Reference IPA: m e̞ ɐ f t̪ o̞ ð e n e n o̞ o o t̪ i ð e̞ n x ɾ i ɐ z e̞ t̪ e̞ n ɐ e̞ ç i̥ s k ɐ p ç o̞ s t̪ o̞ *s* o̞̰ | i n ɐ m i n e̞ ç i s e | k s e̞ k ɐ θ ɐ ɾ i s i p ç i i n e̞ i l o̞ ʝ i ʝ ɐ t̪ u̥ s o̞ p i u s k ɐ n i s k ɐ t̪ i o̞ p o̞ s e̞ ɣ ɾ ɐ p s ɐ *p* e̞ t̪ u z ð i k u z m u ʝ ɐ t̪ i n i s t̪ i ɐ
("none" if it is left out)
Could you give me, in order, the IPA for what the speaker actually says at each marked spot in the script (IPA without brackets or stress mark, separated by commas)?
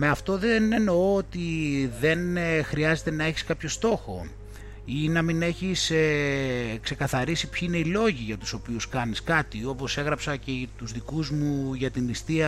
x, c